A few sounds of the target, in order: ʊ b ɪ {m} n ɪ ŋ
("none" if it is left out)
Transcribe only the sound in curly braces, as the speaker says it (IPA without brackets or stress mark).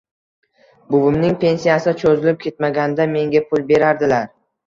m